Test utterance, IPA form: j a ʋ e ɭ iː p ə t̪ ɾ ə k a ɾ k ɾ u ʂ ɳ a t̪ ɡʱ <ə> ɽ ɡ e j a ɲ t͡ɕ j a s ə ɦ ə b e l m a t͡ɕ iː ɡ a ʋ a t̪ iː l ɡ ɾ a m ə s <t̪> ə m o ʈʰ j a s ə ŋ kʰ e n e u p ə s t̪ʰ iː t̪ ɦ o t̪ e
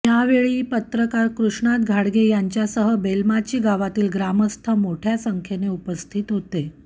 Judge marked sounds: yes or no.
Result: no, no

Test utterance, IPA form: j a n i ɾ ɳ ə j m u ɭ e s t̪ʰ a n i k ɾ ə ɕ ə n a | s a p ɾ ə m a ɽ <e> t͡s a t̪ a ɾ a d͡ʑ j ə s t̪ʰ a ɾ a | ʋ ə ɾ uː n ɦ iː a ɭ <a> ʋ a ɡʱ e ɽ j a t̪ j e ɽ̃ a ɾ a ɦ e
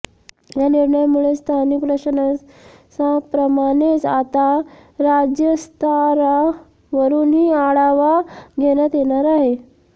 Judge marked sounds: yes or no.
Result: yes, yes

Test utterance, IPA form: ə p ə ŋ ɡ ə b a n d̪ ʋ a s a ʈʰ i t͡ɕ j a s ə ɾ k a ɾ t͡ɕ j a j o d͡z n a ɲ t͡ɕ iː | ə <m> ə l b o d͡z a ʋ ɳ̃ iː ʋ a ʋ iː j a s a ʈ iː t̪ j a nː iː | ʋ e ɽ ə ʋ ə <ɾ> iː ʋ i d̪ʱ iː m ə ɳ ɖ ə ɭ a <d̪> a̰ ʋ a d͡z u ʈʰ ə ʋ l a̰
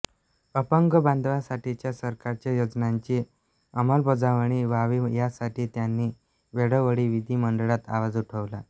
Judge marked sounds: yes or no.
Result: yes, no, no

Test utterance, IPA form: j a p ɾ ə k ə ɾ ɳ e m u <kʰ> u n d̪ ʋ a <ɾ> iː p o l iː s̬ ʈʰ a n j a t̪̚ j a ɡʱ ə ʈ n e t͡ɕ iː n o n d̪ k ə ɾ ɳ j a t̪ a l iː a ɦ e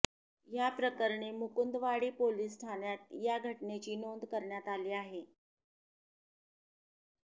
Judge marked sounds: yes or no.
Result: no, no

